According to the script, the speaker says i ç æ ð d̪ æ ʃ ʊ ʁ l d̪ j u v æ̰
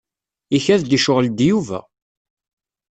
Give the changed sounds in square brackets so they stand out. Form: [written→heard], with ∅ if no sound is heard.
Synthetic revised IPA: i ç æ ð d̪ [æ→i] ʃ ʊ ʁ l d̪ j u v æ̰

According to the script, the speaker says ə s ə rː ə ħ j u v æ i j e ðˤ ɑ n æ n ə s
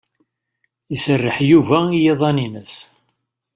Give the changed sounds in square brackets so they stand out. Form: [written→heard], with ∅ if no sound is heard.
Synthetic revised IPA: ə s ə rː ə ħ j u v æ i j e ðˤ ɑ n [æ→i] n ə s

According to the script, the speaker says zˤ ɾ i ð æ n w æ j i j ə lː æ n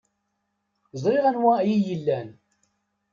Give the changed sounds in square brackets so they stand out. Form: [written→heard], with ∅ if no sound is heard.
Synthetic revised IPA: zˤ ɾ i [ð→ʁ] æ n w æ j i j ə lː æ n

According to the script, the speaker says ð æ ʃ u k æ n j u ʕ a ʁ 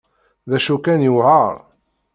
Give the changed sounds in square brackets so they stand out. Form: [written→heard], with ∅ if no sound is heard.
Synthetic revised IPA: ð æ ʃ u k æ n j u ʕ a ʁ

